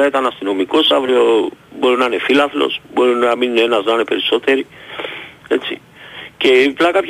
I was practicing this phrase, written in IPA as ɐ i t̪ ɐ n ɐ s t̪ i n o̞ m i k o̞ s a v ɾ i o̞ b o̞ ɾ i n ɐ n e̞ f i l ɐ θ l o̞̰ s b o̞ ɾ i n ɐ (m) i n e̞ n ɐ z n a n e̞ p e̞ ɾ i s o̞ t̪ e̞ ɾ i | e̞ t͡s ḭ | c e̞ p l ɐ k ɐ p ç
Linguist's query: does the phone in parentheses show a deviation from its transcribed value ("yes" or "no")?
no